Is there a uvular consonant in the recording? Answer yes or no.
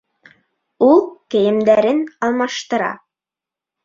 no